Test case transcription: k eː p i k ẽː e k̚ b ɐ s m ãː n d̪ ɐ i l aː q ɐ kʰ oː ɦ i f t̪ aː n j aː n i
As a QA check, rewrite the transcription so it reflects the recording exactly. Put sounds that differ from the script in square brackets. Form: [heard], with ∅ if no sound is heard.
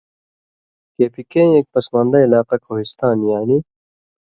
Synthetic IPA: k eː p i k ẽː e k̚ [p] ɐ s m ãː n d̪ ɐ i l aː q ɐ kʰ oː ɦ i [s] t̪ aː n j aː n i